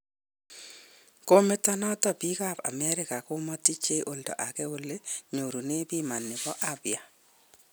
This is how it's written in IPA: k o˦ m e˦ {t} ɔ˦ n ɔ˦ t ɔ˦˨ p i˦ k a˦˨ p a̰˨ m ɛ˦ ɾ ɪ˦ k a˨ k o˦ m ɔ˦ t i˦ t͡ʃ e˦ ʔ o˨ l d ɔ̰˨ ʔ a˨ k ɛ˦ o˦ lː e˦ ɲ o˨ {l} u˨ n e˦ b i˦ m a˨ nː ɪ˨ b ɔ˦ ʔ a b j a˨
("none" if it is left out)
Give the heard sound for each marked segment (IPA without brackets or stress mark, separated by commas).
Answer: t, ɾ